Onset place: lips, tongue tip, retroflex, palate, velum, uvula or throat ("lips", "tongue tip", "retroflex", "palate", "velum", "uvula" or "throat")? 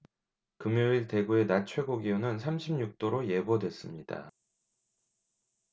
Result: velum